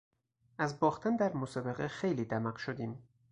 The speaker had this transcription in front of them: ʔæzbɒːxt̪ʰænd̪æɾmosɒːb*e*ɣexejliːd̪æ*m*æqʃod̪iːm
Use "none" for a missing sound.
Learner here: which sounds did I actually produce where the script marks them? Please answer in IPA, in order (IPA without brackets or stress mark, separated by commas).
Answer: e, m